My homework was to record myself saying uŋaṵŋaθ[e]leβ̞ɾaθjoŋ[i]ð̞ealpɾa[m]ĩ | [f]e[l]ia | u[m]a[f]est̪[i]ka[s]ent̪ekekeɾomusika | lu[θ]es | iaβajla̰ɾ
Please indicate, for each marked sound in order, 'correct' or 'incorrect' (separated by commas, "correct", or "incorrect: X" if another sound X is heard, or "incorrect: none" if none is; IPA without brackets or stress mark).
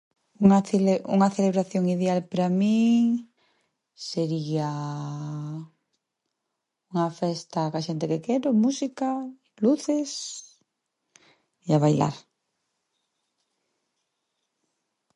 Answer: correct, correct, correct, incorrect: s, incorrect: ɾ, incorrect: ŋ, correct, incorrect: a, incorrect: ʃ, correct